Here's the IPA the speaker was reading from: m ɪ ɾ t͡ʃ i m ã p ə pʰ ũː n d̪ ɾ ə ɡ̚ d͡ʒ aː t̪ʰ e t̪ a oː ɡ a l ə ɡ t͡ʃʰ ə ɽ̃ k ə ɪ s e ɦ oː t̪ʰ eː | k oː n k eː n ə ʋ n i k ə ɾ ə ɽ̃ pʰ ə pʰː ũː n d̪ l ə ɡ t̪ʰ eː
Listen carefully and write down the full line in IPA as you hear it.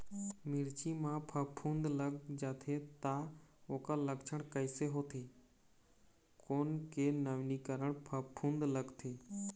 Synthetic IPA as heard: m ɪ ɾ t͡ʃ i m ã pʰ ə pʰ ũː n d̪ l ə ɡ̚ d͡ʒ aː t̪ʰ e t̪ a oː k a l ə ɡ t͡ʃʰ ə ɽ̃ k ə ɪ s e ɦ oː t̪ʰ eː | k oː n k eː n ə ʋ n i k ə ɾ ə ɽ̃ pʰ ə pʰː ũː n d̪ l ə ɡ t̪ʰ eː